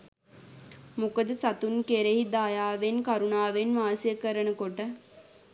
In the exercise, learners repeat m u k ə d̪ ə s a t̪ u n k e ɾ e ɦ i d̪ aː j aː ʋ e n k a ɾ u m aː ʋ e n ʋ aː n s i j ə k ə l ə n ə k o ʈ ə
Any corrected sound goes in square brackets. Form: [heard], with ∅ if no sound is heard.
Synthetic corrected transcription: m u k ə d̪ ə s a t̪ u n k e ɾ e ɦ i d̪ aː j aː ʋ e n k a ɾ u [n] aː ʋ e n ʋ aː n s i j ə k ə [ɾ] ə n ə k o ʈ ə

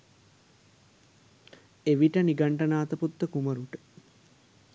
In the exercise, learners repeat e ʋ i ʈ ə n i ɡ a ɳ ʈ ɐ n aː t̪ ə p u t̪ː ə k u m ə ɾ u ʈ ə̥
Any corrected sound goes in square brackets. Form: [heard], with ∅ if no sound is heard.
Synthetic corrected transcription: e ʋ i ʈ ə n i ɡ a ɳ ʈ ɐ n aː t̪ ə p u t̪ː ə k u m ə ɾ u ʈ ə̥

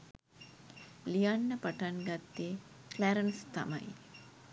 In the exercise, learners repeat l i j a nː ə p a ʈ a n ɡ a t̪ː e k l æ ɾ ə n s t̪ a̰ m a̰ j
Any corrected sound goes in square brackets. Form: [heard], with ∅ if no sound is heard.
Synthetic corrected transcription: l i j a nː ə p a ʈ a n ɡ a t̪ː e k l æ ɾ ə n s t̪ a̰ m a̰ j

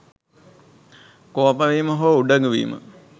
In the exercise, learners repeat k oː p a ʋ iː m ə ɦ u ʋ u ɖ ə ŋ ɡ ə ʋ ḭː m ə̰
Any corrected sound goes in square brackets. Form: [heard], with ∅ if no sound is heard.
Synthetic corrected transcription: k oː p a ʋ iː m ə ɦ [o] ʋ u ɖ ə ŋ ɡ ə ʋ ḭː m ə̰

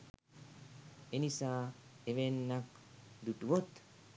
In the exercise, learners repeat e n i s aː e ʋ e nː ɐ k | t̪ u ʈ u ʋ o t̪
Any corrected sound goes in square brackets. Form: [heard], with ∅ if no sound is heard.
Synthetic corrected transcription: e n i s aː e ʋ e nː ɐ k | [d̪] u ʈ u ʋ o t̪

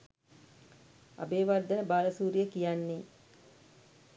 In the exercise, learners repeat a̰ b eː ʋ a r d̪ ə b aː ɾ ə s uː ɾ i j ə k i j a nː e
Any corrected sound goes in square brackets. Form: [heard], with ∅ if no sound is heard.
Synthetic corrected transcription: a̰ b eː ʋ a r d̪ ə b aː [l] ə s uː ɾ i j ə k i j a nː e

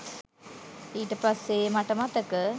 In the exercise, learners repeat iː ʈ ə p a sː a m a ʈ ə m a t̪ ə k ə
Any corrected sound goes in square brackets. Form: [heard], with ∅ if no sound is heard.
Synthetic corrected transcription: iː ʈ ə p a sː [e] m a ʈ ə m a t̪ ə k ə

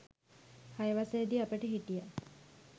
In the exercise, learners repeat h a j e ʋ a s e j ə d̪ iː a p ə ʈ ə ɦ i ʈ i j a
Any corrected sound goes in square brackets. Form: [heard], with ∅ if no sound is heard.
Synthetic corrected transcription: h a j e ʋ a s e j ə d̪ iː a p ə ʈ ə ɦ i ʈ i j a

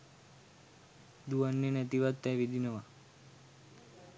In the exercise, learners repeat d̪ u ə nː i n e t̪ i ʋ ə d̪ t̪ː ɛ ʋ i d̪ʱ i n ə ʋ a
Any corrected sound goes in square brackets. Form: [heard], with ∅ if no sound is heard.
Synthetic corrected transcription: d̪ u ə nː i n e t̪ i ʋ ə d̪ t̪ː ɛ ʋ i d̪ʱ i n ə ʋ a

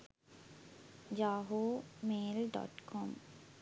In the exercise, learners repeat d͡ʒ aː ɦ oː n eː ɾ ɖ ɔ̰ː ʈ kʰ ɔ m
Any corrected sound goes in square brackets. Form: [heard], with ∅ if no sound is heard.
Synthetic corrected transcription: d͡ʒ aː ɦ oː [m] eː [l] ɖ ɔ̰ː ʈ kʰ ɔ m

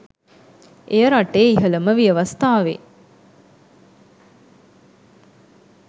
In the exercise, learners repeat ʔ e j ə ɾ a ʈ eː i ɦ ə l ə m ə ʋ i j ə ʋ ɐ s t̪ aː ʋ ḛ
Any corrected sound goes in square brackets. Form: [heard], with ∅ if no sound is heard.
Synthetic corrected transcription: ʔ e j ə ɾ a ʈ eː i ɦ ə l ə m ə ʋ i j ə ʋ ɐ s t̪ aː ʋ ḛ

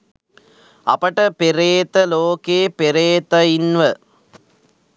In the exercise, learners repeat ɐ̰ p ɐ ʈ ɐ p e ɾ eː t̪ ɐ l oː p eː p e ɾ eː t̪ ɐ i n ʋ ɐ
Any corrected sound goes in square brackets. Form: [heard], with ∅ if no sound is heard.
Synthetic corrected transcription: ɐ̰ p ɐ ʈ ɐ p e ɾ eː t̪ ɐ l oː [k] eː p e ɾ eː t̪ ɐ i n ʋ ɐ

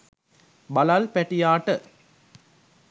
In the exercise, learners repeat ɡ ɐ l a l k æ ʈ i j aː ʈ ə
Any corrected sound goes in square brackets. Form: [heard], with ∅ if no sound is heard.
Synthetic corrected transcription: [b] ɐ l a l [p] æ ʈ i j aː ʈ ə

